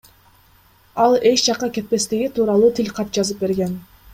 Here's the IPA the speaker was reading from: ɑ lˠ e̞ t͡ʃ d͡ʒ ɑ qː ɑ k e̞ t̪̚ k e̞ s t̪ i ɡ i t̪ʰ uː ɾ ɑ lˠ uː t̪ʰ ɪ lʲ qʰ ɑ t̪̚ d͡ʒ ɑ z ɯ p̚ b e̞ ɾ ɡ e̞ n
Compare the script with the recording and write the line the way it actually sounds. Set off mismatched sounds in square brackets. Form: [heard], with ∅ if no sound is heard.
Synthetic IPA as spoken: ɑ lˠ e̞ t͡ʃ d͡ʒ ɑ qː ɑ k e̞ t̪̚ [p] e̞ s t̪ i ɡ i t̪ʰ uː ɾ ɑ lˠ uː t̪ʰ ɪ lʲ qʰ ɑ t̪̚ d͡ʒ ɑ z ɯ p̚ b e̞ ɾ ɡ e̞ n